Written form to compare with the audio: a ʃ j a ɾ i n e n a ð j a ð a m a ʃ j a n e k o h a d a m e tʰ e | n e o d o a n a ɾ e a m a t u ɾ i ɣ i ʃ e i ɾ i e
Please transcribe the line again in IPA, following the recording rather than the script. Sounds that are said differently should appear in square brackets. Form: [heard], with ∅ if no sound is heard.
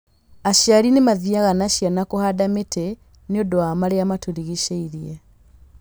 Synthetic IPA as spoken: a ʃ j a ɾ i n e [m] a ð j a [ɣ] a [n] a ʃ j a n [a] k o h a d a m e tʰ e | n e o d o a [m] a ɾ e a m a t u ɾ i ɣ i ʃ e i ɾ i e